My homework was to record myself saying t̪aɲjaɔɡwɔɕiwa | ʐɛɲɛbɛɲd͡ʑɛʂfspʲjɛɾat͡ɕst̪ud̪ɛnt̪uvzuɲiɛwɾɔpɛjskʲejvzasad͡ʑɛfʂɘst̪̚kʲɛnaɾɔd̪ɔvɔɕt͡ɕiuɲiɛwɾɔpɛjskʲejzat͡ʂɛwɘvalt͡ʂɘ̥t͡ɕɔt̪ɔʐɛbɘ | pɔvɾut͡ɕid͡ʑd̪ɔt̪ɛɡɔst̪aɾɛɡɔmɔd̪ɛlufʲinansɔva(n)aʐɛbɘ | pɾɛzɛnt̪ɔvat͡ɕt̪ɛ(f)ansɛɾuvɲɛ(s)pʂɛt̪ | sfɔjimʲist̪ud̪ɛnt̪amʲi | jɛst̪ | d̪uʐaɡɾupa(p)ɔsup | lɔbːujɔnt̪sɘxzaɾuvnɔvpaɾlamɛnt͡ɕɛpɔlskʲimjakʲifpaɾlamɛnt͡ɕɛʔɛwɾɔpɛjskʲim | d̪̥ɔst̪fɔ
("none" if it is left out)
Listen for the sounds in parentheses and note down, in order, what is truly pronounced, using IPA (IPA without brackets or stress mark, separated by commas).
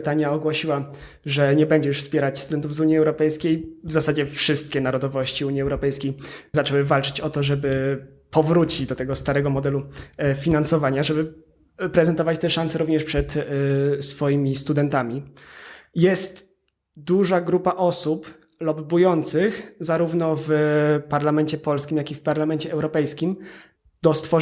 ɲ, ʂ, ʂ, ʔ